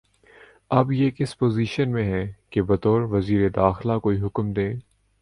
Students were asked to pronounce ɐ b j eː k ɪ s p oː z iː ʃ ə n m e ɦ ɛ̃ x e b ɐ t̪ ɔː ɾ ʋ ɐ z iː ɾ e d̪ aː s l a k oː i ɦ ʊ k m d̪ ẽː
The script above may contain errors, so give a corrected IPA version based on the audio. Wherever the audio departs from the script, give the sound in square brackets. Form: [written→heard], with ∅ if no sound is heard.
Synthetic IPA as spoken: ɐ b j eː k ɪ s p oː z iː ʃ ə n m [e→ẽ] ɦ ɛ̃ [x→k] e b ɐ t̪ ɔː ɾ ʋ ɐ z iː ɾ e d̪ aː [s→x] l a k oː i ɦ ʊ k m d̪ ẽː